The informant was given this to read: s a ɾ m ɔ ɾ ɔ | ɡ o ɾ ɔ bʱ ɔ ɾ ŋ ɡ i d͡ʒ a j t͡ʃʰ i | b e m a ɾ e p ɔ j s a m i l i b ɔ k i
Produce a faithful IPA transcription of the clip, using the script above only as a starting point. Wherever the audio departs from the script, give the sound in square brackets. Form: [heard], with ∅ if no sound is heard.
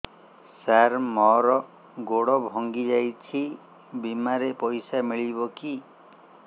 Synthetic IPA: s a ɾ m ɔ ɾ ɔ | ɡ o [ɽ] ɔ bʱ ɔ [∅] ŋ ɡ i d͡ʒ a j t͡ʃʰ i | b [i] m a ɾ e p ɔ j s a m i [ɭ] i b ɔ k i